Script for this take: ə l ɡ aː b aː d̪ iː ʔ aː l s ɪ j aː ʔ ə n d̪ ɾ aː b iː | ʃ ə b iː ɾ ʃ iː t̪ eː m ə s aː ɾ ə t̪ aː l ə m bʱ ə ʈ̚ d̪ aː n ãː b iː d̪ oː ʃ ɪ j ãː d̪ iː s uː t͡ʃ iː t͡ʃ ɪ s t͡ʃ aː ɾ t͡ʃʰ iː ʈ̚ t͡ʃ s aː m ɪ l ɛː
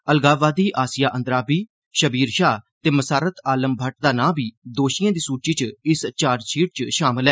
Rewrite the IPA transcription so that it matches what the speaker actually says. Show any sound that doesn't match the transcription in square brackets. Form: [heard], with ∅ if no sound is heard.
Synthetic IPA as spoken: ə l ɡ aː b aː d̪ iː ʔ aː [∅] s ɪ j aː ʔ ə n d̪ ɾ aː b iː | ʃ ə b iː ɾ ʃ [aː] t̪ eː m ə s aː ɾ ə t̪ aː l ə m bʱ ə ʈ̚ d̪ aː n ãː b iː d̪ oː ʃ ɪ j ãː d̪ iː s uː t͡ʃ iː t͡ʃ ɪ s t͡ʃ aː ɾ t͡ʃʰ iː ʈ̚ t͡ʃ [ʃ] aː m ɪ l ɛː